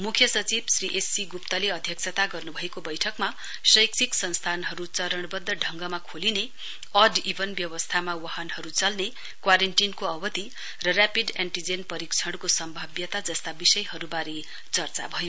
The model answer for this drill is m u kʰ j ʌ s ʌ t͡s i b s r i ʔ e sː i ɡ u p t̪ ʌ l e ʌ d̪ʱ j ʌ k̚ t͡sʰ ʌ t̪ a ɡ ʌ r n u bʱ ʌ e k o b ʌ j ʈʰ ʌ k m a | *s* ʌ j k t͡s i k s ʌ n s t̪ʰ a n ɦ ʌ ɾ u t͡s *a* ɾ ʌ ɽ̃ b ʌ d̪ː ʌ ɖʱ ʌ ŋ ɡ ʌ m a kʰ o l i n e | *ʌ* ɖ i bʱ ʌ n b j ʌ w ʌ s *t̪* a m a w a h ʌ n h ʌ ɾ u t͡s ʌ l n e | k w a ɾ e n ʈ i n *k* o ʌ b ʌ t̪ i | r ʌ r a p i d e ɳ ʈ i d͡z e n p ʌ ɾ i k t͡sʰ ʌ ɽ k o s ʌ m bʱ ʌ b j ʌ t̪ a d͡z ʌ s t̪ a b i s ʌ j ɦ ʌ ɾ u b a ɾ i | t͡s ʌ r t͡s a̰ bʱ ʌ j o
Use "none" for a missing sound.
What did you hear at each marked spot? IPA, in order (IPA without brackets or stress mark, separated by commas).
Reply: s, ʌ, ʌ, t̪ʰ, k